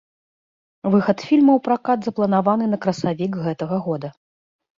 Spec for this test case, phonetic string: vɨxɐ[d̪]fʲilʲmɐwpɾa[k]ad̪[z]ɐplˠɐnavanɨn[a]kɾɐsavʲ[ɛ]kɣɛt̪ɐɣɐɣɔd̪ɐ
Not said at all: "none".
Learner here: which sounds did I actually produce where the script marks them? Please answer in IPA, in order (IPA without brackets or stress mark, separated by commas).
t̪, k, z, ɐ, i